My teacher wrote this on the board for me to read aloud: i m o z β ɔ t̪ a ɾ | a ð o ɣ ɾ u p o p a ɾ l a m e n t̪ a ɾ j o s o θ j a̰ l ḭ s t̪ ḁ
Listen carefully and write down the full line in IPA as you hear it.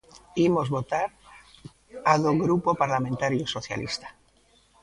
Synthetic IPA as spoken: i m o z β o t̪ a ɾ | a ð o ɣ ɾ u p o p a ɾ l a m e n t̪ a ɾ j o s o θ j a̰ l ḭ s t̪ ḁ